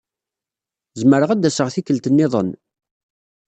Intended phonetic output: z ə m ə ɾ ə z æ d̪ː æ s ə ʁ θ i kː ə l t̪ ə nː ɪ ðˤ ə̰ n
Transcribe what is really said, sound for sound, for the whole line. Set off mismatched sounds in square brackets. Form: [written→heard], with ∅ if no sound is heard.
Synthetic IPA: z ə m ə ɾ ə [z→ʁ] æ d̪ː æ s ə ʁ θ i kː ə l t̪ ə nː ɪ ðˤ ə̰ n